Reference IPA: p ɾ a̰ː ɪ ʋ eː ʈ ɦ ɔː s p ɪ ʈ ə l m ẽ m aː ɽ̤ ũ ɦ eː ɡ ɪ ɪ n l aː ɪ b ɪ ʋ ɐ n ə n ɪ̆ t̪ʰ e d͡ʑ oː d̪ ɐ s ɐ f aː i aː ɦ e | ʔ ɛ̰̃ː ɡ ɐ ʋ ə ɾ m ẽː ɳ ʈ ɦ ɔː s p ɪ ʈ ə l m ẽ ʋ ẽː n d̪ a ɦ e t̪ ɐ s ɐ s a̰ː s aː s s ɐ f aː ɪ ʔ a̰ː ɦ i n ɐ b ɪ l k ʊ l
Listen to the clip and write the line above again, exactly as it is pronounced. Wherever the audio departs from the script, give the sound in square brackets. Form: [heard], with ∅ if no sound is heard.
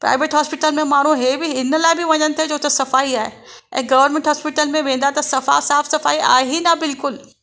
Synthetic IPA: p ɾ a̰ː ɪ ʋ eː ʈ ɦ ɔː s p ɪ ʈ ə l m ẽ m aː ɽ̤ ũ ɦ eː [b] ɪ ɪ n l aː ɪ b ɪ ʋ ɐ [ɲ] ə n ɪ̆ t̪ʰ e d͡ʑ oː [t̪] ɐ s ɐ f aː i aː ɦ e | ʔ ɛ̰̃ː ɡ ɐ ʋ ə ɾ m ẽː ɳ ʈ ɦ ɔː s p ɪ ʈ ə l m ẽ ʋ ẽː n d̪ a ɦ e t̪ ɐ s ɐ [f] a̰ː s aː [f] s ɐ f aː [i] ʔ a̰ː ɦ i n ɐ b ɪ l k ʊ l